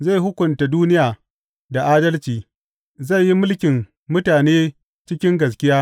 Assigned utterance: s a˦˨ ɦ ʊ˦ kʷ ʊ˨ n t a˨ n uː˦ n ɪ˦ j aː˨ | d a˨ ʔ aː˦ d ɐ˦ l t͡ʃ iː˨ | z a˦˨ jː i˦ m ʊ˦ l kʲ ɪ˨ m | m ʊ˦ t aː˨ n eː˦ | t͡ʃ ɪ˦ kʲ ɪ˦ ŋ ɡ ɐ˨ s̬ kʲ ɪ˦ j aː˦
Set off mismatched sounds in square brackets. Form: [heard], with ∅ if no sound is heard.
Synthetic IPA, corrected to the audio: [z] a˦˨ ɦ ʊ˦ kʷ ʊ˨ n t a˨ [d] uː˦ n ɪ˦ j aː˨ | d a˨ ʔ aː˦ d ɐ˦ l t͡ʃ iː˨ | z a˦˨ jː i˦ m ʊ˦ l kʲ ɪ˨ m | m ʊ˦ t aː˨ n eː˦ | t͡ʃ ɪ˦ kʲ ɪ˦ ŋ ɡ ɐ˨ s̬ kʲ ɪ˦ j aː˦

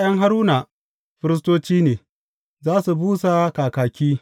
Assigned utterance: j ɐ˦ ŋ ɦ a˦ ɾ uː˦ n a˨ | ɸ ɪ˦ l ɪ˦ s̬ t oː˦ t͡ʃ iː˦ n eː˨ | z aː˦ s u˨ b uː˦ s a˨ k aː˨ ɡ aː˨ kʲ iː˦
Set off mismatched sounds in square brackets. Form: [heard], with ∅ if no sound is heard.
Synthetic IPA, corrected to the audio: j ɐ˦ ŋ ɦ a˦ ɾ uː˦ n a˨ | ɸ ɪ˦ [ɾ] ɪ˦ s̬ t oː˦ t͡ʃ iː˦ n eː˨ | z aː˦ s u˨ b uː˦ s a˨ k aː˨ [k] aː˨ kʲ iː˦

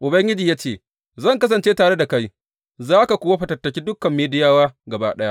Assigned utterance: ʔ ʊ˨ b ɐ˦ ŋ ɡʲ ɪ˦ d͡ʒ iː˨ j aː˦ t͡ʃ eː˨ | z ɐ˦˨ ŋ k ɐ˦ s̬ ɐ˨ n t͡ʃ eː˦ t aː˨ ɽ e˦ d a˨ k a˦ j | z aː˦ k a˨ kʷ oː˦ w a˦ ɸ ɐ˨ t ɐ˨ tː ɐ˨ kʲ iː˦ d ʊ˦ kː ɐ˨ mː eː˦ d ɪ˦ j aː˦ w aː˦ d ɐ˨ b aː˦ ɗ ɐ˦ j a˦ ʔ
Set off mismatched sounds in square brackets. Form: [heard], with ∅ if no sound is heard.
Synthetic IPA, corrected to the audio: ʔ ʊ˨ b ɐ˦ ŋ ɡʲ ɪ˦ d͡ʒ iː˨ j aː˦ t͡ʃ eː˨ | z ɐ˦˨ ŋ k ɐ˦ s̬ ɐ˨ n t͡ʃ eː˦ t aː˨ ɽ e˦ d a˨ k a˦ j | z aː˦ k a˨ kʷ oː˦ w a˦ ɸ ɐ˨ t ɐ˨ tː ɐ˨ kʲ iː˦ d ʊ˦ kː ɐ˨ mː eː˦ d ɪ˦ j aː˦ w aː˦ [ɡ] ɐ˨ b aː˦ ɗ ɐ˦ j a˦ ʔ

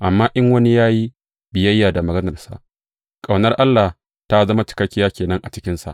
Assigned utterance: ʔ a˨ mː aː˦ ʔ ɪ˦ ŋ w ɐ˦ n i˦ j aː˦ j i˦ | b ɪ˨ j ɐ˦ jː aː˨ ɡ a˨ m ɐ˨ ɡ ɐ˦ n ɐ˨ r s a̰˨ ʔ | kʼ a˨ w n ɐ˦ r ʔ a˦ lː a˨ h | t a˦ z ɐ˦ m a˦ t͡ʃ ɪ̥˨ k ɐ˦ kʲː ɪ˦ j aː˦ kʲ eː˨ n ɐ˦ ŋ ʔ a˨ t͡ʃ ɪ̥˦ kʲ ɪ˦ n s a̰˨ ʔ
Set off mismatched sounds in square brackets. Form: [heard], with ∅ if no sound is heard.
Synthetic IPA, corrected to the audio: ʔ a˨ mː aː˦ ʔ ɪ˦ ŋ w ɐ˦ n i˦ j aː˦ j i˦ | b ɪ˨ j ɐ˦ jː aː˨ [d] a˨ m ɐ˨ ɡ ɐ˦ n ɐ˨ r s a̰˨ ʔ | kʼ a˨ w n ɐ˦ r ʔ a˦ lː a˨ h | t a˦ z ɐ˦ m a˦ t͡ʃ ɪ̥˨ k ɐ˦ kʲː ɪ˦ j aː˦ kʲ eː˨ n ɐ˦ ŋ ʔ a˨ t͡ʃ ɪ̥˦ kʲ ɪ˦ n s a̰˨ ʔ

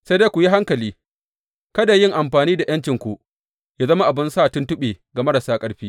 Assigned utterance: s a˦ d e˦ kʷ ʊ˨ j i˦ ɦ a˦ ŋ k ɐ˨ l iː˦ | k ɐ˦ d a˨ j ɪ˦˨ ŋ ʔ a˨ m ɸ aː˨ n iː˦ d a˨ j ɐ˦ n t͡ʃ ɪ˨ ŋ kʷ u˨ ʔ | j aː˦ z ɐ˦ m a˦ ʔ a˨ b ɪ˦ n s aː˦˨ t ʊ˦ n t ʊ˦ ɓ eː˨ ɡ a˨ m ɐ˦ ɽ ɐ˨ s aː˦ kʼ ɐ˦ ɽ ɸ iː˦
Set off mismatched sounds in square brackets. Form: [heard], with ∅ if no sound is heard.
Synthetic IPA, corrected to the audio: s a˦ d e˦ kʷ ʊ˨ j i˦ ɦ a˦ ŋ k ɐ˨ l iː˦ | k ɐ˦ d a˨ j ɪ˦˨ ŋ ʔ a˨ m ɸ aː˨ n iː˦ d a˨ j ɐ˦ n t͡ʃ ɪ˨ ŋ kʷ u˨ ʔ | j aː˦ z ɐ˦ m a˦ ʔ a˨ b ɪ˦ n s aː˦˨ t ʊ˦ n t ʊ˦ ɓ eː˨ ɡ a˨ m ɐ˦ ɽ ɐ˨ s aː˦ kʼ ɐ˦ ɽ ɸ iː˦

